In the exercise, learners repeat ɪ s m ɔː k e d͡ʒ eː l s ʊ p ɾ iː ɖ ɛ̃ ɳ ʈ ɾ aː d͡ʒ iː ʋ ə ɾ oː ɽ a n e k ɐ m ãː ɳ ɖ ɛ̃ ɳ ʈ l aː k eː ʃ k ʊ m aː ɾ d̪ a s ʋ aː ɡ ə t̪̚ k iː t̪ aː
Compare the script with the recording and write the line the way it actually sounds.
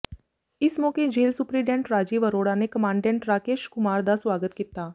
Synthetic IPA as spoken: ɪ s m ɔː k e d͡ʒ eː l s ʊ p ɾ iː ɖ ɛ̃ ɳ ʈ ɾ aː d͡ʒ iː ʋ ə ɾ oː ɽ a n e k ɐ m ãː ɳ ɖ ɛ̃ ɳ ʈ ɾ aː k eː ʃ k ʊ m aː ɾ d̪ a s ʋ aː ɡ ə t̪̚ k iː t̪ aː